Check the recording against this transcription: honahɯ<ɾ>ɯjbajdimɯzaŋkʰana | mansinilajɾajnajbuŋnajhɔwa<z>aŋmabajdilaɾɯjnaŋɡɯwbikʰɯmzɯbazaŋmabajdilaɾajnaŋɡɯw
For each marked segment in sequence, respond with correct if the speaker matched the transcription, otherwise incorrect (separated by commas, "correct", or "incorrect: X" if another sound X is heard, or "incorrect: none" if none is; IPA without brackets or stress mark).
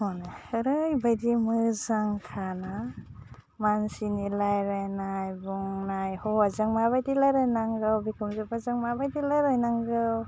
correct, correct